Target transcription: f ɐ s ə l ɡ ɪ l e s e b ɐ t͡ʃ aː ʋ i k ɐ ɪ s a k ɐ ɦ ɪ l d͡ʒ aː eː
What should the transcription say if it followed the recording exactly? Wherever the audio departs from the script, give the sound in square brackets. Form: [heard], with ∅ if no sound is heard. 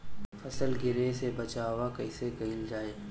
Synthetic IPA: f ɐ s ə l ɡ ɪ [ɾ] e s e b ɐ t͡ʃ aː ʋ [a] k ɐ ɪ s [e] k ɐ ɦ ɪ l d͡ʒ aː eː